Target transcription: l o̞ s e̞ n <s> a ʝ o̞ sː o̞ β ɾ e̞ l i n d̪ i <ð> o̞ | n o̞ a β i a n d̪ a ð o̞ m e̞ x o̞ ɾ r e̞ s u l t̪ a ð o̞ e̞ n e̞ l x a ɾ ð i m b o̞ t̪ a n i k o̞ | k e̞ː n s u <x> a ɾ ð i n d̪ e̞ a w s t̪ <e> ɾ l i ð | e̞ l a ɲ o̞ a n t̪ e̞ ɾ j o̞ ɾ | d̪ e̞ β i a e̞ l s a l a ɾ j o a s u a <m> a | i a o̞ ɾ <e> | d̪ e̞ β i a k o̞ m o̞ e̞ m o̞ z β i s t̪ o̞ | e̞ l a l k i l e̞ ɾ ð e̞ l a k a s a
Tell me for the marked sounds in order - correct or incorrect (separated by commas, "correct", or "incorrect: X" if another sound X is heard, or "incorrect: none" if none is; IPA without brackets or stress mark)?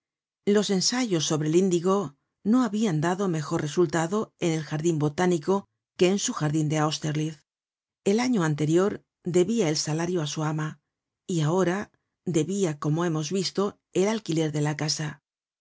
correct, incorrect: ɣ, correct, correct, correct, incorrect: a